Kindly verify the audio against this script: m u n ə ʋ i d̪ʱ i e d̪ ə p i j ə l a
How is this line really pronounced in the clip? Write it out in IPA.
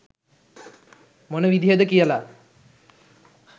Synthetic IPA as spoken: m o n ə ʋ i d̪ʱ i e d̪ ə k i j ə l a